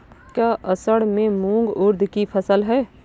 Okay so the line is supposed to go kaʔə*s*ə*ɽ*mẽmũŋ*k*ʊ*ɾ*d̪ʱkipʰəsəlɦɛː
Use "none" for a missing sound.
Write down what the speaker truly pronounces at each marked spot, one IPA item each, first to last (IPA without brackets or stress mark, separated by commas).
s, ɽ, ɡ, ɾ